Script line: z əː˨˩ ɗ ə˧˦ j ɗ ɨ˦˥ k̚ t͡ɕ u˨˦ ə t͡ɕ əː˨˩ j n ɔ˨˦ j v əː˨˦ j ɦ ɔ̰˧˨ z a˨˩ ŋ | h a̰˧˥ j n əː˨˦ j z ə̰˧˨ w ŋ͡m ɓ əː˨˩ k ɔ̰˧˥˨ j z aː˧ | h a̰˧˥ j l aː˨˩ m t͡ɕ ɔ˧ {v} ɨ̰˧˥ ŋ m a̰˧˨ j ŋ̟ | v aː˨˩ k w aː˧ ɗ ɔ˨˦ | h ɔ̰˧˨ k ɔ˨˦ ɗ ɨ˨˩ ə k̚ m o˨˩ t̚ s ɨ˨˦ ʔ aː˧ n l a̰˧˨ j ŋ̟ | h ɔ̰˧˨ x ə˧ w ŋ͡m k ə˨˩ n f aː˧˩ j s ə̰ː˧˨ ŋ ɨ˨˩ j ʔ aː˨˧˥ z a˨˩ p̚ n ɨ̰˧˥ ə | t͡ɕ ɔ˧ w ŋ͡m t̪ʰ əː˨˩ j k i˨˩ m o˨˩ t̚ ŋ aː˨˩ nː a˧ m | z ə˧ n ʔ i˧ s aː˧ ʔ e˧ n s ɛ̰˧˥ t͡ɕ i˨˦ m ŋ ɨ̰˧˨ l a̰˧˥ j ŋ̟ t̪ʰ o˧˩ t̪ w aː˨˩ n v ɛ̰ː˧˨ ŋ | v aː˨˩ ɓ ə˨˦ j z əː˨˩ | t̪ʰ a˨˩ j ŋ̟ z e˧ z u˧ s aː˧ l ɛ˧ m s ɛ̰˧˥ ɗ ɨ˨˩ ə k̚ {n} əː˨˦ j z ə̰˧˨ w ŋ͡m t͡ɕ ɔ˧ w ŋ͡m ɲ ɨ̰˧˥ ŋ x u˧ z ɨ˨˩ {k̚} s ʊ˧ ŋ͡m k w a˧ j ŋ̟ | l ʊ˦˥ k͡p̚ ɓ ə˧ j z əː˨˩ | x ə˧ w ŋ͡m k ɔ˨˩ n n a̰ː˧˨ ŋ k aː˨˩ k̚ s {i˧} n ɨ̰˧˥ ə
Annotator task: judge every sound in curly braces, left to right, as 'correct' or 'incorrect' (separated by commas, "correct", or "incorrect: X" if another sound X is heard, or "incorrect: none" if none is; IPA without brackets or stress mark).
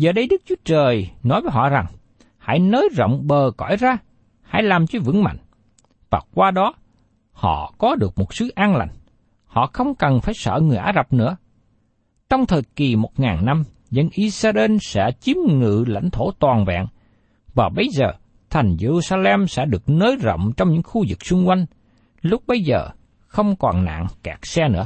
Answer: correct, correct, correct, incorrect: ɛ˧